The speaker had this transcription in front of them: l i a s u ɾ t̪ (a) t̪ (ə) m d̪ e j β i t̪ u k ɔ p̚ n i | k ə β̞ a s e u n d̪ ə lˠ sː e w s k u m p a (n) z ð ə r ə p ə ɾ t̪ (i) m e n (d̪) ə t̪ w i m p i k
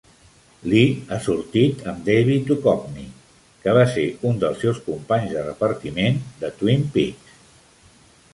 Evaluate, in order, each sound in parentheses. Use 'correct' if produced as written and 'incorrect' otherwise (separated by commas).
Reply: incorrect, correct, incorrect, correct, correct